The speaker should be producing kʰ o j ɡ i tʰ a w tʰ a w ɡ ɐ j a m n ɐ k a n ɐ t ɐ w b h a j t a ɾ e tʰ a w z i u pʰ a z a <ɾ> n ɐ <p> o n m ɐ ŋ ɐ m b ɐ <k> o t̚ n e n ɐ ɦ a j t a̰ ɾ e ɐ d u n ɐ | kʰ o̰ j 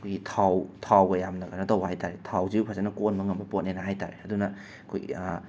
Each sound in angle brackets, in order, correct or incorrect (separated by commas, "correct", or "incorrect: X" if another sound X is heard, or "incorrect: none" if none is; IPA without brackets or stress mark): incorrect: none, incorrect: k, incorrect: p